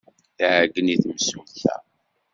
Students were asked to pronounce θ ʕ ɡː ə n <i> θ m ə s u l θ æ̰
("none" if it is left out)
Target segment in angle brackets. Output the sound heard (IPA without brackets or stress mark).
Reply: i